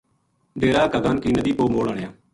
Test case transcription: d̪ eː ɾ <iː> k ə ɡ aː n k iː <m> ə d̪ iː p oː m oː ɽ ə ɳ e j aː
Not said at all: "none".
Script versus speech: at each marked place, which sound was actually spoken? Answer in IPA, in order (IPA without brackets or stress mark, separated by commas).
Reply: aː, n